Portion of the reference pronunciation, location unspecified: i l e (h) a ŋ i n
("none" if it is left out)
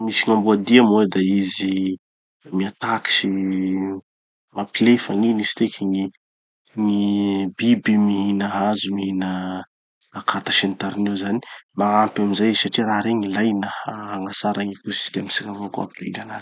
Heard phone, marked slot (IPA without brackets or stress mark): f